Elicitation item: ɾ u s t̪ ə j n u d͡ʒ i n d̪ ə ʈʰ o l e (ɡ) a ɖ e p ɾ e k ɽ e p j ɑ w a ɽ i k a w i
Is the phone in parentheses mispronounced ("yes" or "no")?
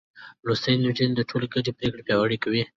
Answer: no